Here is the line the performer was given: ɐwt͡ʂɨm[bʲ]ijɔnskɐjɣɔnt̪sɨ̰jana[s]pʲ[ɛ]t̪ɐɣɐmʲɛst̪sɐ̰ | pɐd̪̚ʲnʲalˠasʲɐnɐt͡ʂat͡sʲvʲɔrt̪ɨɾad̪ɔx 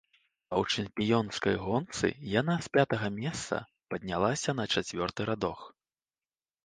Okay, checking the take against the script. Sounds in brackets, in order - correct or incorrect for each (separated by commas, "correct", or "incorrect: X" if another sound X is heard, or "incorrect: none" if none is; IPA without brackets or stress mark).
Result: incorrect: pʲ, correct, incorrect: a